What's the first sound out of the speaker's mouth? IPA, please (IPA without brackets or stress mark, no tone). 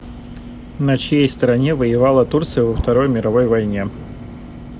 n